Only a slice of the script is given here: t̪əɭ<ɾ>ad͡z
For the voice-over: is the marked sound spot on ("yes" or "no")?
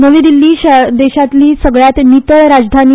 yes